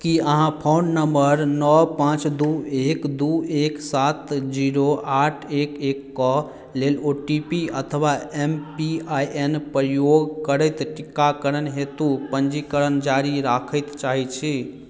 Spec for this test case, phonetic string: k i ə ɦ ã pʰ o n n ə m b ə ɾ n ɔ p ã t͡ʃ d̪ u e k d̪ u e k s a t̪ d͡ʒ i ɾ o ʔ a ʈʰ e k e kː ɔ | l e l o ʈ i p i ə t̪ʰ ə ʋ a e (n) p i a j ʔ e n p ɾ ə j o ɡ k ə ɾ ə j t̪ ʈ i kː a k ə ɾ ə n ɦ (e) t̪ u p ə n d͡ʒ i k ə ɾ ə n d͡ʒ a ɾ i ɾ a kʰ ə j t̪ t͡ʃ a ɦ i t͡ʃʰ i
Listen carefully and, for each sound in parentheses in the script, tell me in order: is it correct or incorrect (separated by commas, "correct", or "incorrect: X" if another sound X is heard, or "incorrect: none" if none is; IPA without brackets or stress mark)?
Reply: incorrect: m, correct